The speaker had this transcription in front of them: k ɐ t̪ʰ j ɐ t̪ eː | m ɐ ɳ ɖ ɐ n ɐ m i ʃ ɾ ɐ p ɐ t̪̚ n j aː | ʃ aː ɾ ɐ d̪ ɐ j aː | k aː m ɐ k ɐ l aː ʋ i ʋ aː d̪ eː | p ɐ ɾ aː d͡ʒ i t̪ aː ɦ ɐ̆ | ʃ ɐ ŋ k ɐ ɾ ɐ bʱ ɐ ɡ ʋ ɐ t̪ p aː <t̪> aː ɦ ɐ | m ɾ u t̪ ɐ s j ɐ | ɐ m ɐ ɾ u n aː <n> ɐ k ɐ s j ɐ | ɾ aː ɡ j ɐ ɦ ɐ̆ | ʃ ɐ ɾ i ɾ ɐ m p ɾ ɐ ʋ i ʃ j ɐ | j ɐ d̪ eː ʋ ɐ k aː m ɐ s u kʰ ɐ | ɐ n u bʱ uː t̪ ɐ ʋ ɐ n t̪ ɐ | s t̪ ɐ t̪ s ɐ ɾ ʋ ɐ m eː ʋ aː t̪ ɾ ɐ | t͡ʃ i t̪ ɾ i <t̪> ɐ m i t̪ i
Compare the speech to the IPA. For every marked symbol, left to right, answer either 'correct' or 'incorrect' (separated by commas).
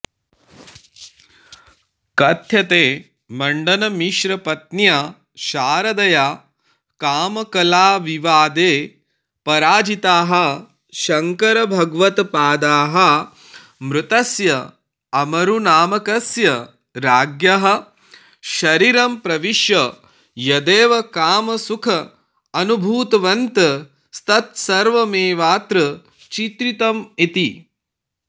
incorrect, incorrect, correct